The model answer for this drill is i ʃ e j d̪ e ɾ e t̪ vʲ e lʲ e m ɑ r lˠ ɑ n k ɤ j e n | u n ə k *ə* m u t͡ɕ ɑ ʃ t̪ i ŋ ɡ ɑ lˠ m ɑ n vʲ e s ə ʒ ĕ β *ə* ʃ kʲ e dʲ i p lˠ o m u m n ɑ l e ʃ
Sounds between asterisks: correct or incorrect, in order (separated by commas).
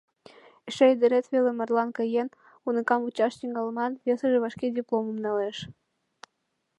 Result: incorrect, incorrect